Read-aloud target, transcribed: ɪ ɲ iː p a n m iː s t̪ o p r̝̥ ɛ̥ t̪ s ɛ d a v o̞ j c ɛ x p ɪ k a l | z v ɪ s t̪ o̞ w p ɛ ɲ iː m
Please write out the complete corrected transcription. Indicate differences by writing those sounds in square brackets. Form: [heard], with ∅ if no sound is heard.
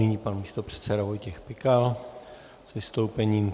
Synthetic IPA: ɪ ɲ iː p a n m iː s t̪ o p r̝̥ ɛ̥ t̪ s ɛ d a v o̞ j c ɛ x p ɪ k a l | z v ɪ s t̪ o̞ w p ɛ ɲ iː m